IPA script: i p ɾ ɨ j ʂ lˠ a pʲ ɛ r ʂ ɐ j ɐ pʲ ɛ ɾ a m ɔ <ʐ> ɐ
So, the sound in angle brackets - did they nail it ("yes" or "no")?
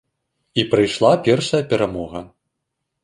no